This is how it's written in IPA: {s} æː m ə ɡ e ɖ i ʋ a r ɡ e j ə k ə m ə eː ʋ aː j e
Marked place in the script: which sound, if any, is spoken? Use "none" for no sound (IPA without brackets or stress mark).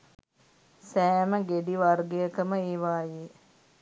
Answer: s